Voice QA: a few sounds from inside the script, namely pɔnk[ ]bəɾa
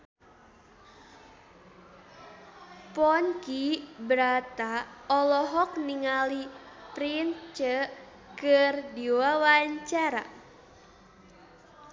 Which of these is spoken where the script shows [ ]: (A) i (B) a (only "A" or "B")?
A